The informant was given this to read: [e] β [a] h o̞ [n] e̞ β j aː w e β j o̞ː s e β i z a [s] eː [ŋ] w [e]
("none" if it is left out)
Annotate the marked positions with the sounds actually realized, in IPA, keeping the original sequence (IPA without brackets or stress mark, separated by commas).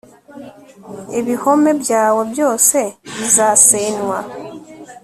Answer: e, i, m, s, n, a